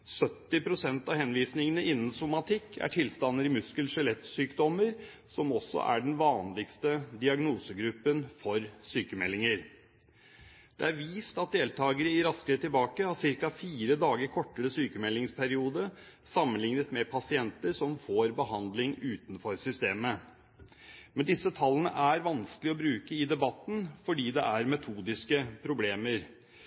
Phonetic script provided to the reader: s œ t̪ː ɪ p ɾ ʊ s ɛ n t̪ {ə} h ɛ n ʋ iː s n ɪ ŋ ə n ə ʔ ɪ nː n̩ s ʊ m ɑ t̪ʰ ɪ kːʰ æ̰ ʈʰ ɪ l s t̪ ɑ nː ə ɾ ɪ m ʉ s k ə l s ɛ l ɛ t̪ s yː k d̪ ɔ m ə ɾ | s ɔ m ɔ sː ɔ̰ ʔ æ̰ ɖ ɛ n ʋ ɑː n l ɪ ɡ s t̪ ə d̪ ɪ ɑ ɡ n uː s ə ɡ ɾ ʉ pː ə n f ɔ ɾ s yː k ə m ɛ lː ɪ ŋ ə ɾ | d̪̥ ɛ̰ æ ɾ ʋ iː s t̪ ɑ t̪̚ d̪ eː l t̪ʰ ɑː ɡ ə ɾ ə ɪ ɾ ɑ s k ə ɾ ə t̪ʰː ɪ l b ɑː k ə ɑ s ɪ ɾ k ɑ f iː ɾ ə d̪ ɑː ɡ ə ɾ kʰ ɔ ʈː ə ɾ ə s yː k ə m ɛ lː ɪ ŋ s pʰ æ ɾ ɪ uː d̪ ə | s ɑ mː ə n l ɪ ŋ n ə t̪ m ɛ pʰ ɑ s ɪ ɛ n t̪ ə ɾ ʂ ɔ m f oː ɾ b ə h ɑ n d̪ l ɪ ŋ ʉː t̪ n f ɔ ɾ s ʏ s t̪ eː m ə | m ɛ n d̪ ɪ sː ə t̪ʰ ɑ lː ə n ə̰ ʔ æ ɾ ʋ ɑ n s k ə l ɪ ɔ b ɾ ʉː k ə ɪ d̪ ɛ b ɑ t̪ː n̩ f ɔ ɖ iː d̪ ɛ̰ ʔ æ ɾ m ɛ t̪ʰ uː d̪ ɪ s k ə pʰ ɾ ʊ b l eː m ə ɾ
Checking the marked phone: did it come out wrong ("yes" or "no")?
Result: yes